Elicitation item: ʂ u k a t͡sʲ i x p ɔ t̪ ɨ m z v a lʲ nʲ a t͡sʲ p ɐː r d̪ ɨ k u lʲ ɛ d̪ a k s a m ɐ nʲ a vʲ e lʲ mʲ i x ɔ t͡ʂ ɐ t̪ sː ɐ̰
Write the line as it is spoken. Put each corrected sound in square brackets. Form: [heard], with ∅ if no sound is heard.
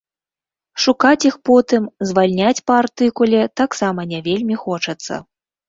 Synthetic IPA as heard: ʂ u k a t͡sʲ i x p ɔ t̪ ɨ m z v a lʲ nʲ a t͡sʲ p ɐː r [t̪] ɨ k u lʲ ɛ [t̪] a k s a m ɐ nʲ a vʲ e lʲ mʲ i x ɔ t͡ʂ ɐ t̪ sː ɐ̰